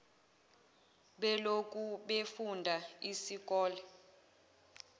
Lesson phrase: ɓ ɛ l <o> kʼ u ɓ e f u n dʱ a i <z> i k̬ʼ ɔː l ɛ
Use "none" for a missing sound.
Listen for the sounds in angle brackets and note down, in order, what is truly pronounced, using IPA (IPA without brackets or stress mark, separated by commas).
o, s